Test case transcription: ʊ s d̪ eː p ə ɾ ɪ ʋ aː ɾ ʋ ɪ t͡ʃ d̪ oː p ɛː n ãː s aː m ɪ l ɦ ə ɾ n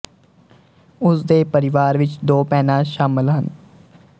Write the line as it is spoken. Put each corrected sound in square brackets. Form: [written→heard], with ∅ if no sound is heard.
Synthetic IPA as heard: ʊ s d̪ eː p ə ɾ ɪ ʋ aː ɾ ʋ ɪ t͡ʃ d̪ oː p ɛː n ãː [s→ʃ] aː m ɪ l ɦ ə [ɾ→∅] n